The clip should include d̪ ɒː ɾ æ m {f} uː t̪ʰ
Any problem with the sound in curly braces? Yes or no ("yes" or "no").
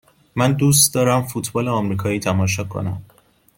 no